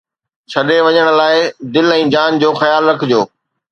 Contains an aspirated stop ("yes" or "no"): yes